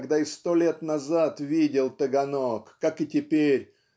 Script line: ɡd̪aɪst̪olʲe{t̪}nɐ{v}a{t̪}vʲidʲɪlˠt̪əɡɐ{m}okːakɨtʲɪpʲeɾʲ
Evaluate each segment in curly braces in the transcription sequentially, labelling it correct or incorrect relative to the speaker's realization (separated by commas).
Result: correct, incorrect, correct, incorrect